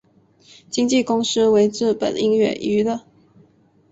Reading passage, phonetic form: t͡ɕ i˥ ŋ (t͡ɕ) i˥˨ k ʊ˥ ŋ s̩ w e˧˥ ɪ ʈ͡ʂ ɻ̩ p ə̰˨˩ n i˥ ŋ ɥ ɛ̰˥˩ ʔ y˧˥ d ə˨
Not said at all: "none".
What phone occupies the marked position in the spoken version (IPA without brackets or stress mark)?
t͡ɕ